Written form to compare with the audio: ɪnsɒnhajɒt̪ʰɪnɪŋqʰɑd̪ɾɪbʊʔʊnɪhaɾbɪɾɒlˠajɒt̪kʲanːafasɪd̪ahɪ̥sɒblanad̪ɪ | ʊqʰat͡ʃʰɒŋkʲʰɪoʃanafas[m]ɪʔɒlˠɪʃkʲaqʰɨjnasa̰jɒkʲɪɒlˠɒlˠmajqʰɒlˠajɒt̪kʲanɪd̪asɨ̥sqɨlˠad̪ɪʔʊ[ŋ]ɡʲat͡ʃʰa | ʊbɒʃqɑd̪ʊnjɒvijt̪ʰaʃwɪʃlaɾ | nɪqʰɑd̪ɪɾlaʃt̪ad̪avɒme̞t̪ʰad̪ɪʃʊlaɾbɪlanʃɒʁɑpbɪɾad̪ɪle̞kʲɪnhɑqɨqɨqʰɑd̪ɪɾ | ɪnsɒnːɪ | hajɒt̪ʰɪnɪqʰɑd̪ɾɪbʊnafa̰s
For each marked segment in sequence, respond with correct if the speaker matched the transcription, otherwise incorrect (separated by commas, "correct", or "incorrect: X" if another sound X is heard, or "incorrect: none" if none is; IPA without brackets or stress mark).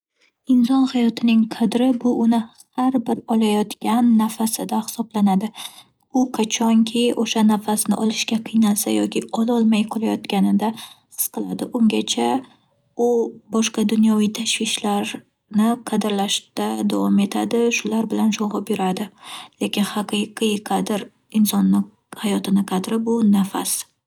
incorrect: n, correct